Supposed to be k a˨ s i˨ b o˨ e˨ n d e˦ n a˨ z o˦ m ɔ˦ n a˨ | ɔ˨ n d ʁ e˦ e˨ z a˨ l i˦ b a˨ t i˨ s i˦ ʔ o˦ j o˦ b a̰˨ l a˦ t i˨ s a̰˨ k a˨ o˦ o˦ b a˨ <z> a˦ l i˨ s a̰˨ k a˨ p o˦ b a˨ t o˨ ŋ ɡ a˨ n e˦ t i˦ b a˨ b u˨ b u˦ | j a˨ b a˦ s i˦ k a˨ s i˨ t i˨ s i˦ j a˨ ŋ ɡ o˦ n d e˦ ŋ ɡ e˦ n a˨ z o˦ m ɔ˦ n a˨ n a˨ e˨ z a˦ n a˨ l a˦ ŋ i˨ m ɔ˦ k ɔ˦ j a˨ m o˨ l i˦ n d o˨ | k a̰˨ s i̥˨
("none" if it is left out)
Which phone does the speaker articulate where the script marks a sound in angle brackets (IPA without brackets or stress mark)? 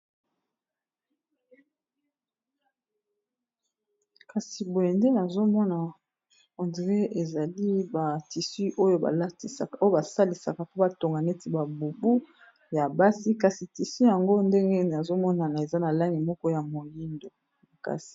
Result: s